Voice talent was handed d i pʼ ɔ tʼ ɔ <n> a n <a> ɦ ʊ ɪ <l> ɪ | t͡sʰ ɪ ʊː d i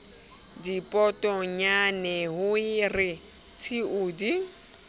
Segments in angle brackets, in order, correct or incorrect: incorrect, incorrect, incorrect

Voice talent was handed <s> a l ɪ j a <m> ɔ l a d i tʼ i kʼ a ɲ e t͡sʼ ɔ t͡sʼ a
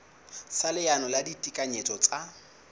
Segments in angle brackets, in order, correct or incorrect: correct, incorrect

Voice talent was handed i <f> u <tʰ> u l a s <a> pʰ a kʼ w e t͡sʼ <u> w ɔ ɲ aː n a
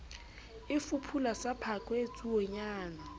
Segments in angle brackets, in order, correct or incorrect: correct, incorrect, correct, correct

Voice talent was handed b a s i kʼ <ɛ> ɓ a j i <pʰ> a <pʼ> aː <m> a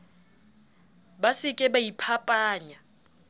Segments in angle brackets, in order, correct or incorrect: correct, correct, correct, incorrect

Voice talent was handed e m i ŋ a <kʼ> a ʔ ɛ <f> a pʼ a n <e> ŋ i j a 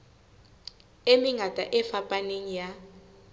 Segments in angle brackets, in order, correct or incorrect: incorrect, correct, correct

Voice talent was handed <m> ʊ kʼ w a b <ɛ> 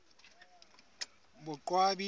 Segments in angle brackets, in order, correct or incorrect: incorrect, incorrect

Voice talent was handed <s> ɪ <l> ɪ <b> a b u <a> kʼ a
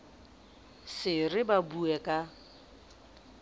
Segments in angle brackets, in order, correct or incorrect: correct, incorrect, correct, incorrect

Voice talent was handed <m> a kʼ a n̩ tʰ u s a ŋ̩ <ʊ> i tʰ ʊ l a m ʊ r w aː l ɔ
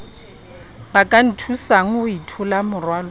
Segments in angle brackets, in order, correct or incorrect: incorrect, correct

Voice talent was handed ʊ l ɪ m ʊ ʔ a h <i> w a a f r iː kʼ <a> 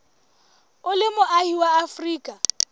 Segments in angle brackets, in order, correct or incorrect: correct, correct

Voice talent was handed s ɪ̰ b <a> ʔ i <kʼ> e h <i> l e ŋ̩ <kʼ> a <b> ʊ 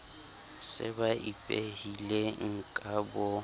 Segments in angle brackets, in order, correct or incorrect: correct, incorrect, correct, correct, correct

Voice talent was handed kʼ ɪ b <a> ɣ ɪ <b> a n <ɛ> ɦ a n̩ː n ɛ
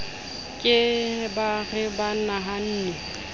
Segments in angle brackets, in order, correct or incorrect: correct, correct, incorrect

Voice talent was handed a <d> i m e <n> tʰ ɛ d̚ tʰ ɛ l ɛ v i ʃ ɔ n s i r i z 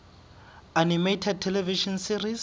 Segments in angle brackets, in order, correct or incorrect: incorrect, incorrect

